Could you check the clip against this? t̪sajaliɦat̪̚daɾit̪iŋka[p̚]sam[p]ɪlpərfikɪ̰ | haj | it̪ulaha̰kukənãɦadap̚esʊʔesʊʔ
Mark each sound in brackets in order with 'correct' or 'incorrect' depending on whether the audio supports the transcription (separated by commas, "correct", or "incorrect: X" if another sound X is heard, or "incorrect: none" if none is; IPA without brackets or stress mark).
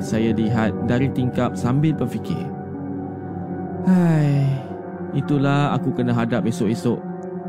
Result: correct, incorrect: b